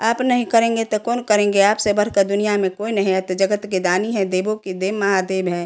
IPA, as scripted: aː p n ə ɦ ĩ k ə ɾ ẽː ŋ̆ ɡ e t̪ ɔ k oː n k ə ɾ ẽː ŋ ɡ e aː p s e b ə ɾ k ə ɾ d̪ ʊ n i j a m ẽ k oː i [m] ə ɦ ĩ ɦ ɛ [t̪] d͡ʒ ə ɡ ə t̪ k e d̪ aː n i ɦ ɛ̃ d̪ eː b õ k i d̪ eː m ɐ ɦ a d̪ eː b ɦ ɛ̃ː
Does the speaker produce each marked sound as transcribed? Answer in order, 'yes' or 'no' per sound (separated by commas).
no, yes